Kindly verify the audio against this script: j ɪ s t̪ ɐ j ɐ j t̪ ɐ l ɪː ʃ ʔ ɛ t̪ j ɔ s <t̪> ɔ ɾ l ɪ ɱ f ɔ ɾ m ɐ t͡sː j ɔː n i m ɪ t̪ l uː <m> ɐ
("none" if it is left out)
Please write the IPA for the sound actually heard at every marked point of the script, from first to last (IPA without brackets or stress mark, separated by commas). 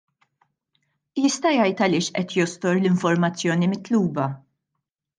t̪, b